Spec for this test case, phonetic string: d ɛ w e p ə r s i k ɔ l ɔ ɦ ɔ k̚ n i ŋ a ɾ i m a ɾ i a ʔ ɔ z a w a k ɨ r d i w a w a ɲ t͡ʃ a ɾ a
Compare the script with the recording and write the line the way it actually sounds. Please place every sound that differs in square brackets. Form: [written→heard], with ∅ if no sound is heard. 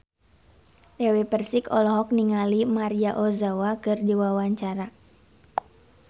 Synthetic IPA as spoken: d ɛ w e p ə r s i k ɔ l ɔ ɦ ɔ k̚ n i ŋ a [ɾ→l] i m a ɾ i a ʔ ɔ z a w a k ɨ r d i w a w a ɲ t͡ʃ a ɾ a

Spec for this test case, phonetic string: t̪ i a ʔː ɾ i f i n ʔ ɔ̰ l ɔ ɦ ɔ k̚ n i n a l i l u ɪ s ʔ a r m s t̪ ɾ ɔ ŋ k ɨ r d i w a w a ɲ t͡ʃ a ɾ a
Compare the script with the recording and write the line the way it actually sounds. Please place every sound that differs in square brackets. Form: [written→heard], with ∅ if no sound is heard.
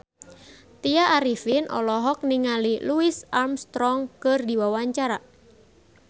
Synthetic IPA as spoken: t̪ i a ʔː ɾ i f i n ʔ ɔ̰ l ɔ ɦ ɔ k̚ n i [n→ŋ] a l i l u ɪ s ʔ a r m s t̪ ɾ ɔ ŋ k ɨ r d i w a w a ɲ t͡ʃ a ɾ a

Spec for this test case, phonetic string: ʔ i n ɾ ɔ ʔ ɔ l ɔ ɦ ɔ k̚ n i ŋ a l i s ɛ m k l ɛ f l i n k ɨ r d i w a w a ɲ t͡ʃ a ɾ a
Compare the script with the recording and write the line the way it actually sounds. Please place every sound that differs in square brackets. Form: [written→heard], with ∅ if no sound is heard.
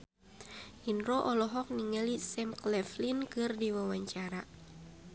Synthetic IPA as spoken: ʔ i n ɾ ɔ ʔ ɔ l ɔ ɦ ɔ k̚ n i ŋ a l i s ɛ m k l ɛ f l i n k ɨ r d i w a w a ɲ t͡ʃ a ɾ a

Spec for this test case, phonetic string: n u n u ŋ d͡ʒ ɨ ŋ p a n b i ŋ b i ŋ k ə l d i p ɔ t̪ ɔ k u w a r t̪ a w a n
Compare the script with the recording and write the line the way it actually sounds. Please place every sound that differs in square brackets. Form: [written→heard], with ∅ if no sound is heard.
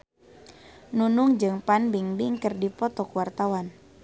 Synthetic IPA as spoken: n u n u ŋ d͡ʒ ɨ ŋ p a n b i ŋ b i ŋ k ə [l→r] d i p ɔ t̪ ɔ k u w a r t̪ a w a n

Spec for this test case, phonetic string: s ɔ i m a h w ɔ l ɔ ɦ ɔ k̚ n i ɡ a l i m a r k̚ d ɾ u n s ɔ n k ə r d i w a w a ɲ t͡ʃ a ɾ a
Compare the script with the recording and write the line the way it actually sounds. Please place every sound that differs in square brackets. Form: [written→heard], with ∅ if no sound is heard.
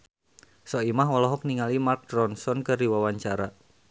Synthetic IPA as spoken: s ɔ i m a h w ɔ l ɔ ɦ ɔ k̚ n i [ɡ→ŋ] a l i m a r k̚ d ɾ [u→ɔ] n s ɔ n k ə r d i w a w a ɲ t͡ʃ a ɾ a

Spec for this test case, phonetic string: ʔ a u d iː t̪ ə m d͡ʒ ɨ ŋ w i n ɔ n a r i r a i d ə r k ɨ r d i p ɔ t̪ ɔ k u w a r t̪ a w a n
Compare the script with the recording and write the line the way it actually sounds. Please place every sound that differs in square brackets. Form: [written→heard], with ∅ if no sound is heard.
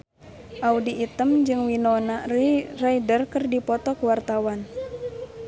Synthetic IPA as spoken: ʔ a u d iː t̪ ə m d͡ʒ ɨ ŋ w i n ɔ n a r i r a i d ə r k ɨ r d i p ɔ t̪ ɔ k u w a r t̪ a w a n

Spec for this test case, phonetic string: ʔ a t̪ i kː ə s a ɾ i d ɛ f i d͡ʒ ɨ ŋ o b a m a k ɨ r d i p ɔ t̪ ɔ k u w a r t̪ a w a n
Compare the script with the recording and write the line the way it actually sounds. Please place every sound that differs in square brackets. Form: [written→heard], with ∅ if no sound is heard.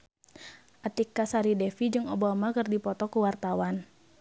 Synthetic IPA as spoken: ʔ a t̪ i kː [ə→a] s a ɾ i d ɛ f i d͡ʒ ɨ ŋ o b a m a k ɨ r d i p ɔ t̪ ɔ k u w a r t̪ a w a n

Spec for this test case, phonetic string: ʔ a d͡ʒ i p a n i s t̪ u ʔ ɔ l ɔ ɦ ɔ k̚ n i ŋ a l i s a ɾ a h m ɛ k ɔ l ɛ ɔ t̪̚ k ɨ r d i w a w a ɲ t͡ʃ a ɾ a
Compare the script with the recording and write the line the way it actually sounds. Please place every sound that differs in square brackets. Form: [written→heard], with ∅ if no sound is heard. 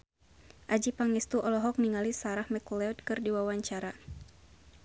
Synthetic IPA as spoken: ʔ a d͡ʒ i p a [n→ŋ] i s t̪ u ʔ ɔ l ɔ ɦ ɔ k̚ n i ŋ a l i s a ɾ a h m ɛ k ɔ l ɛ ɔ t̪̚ k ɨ r d i w a w a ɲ t͡ʃ a ɾ a

